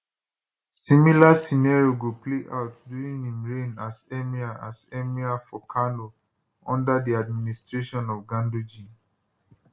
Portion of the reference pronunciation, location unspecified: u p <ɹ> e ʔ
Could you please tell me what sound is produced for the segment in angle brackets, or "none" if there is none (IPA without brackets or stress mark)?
l